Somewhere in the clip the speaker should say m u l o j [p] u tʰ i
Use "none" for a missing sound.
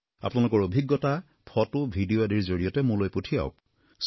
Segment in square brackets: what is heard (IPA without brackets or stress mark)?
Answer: p